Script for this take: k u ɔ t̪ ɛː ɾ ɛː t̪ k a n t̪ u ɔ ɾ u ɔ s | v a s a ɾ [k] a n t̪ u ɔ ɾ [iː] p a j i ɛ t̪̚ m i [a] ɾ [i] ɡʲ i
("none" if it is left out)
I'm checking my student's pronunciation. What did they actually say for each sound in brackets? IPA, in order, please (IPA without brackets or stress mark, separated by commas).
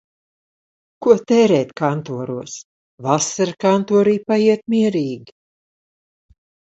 k, iː, ɛ, iː